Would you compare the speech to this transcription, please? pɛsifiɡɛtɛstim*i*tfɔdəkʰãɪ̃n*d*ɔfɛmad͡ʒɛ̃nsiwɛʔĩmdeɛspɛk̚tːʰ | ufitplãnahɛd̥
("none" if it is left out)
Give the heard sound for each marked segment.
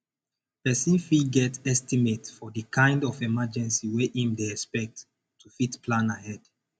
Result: e, d

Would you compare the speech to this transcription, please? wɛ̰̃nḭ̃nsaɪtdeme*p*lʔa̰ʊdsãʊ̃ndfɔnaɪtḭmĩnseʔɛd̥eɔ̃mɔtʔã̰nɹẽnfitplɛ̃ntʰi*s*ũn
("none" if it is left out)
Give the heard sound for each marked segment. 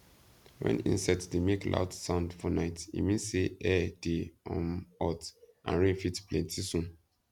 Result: k, s

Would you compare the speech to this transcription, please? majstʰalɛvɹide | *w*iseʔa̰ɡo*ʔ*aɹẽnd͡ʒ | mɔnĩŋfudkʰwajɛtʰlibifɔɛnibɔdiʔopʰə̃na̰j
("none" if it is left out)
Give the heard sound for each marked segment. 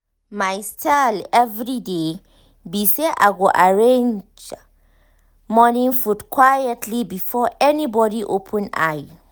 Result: b, ʔ

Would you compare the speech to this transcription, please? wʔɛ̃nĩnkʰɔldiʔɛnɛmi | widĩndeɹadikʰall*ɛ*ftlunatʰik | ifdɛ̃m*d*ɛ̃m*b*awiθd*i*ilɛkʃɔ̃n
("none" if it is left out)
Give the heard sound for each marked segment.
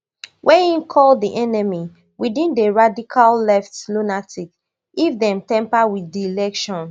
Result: ɛ, t, p, i

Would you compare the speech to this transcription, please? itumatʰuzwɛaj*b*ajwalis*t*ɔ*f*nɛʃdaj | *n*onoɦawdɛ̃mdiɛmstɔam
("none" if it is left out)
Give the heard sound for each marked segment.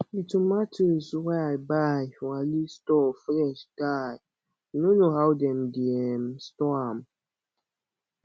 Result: b, t, f, n

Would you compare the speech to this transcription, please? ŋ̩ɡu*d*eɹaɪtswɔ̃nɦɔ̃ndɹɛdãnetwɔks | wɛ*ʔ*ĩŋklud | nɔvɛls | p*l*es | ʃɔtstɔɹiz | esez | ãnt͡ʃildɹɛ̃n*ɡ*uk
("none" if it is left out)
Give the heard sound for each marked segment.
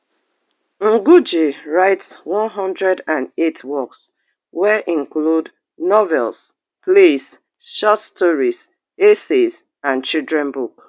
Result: d͡ʒ, ʔ, l, b

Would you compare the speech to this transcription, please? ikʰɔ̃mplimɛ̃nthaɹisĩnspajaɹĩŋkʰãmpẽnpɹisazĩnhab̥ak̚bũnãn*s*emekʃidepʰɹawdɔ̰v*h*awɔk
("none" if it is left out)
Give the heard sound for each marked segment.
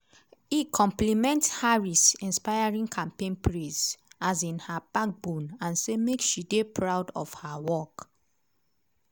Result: s, h

